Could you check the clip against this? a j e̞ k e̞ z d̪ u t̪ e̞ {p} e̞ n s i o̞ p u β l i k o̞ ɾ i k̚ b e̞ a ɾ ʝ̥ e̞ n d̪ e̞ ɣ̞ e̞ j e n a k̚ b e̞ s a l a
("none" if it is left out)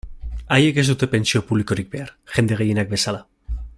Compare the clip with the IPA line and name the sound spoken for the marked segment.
p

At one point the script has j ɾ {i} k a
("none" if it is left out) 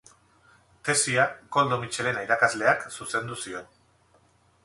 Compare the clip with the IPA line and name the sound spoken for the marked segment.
a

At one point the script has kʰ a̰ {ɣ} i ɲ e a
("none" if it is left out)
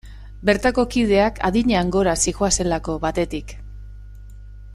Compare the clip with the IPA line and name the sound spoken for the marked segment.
ð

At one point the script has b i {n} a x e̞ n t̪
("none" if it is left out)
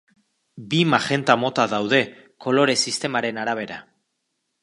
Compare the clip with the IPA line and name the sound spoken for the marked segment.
m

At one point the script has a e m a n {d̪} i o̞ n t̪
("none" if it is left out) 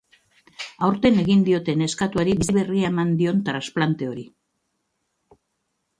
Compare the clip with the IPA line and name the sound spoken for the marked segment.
d̪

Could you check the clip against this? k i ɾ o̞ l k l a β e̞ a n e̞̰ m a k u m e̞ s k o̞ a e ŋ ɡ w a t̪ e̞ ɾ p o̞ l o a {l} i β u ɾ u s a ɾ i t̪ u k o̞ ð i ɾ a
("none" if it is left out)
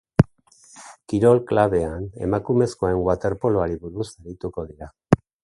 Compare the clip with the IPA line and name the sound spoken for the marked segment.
ɾ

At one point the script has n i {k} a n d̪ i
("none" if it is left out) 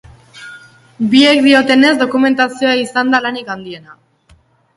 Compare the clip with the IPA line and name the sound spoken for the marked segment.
k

